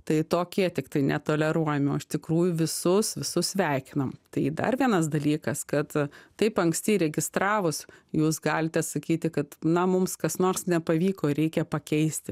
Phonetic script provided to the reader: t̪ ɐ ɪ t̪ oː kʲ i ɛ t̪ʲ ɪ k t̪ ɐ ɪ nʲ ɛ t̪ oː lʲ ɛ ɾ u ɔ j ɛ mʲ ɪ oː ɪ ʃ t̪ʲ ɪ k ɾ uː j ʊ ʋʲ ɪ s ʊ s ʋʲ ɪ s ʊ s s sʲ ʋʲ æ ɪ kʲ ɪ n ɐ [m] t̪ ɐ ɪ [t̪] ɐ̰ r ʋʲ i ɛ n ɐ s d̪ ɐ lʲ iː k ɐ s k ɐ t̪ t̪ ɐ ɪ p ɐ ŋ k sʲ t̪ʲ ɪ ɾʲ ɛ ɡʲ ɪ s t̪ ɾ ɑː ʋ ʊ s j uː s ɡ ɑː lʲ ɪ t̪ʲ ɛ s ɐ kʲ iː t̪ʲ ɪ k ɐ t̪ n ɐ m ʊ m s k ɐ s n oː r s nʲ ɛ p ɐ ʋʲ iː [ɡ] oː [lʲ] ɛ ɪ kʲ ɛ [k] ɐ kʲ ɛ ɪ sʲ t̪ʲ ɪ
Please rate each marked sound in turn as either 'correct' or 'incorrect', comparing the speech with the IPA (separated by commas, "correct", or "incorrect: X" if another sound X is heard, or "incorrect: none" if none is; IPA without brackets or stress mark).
correct, incorrect: d̪, incorrect: k, incorrect: ɾʲ, incorrect: p